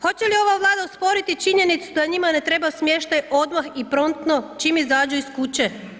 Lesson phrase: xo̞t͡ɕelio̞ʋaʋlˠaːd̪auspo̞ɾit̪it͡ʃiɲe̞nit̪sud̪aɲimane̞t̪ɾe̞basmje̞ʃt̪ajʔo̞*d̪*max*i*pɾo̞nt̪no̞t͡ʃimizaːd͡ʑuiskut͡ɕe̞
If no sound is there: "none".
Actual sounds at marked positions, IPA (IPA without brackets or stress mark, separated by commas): d̪, i